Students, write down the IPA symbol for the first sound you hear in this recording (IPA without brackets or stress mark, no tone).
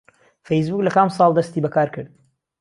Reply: f